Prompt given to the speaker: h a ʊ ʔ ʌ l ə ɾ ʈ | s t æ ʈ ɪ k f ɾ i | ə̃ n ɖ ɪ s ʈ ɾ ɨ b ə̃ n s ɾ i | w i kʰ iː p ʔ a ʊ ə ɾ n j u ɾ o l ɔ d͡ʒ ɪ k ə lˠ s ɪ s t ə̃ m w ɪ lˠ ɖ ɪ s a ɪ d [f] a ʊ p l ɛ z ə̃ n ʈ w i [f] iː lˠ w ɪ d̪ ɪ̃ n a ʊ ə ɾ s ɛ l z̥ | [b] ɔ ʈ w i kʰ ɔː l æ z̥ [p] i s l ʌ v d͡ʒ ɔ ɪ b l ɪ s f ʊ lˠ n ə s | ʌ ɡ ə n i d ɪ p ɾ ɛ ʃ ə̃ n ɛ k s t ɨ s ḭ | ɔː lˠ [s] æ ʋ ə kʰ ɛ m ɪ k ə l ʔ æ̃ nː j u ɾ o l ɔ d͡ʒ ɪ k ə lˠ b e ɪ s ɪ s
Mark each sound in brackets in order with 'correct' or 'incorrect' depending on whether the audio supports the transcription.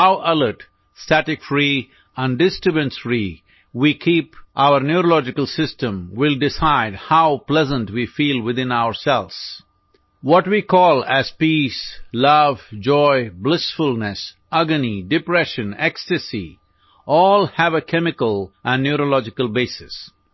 incorrect, correct, incorrect, correct, incorrect

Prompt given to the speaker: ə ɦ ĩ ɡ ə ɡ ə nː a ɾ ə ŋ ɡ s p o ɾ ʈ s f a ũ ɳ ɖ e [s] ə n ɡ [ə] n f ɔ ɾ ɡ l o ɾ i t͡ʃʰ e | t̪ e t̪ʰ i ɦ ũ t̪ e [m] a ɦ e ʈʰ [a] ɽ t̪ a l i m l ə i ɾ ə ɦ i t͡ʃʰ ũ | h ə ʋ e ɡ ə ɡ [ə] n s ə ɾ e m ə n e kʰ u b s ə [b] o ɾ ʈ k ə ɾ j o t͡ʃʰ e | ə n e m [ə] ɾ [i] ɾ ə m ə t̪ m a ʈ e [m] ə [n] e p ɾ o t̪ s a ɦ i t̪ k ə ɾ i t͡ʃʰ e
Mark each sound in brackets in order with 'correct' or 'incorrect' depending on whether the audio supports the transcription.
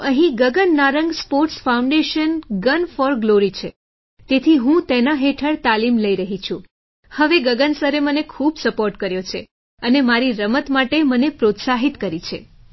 incorrect, correct, incorrect, incorrect, correct, incorrect, incorrect, correct, correct, correct

